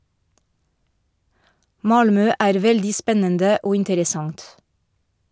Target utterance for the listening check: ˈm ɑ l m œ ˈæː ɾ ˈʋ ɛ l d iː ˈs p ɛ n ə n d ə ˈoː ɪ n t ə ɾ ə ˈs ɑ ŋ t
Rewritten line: ˈm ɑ l m œ ˈæː ɾ ˈʋ ɛ l d iː ˈs p ɛ n ə n d ə ˈoː ɪ n t ə ɾ ə ˈs ɑ ŋ t